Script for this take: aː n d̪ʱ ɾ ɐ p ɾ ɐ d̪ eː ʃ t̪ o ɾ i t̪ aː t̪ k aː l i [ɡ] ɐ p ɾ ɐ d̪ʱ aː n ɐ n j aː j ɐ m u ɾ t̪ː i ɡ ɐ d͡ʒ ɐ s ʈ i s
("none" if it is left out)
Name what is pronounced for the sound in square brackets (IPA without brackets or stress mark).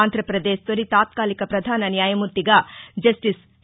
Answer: k